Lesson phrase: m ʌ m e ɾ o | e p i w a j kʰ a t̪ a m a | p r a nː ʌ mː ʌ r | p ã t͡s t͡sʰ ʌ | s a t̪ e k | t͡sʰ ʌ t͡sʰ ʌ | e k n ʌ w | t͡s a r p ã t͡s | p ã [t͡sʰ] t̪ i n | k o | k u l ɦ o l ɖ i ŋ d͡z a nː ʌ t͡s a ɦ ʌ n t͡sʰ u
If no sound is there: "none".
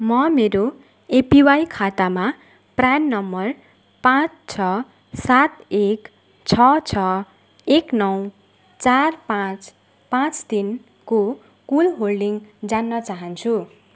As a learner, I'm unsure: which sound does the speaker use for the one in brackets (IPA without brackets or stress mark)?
t͡s